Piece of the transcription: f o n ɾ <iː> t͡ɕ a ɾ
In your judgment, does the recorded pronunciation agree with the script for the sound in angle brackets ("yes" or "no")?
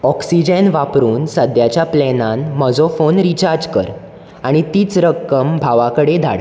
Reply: no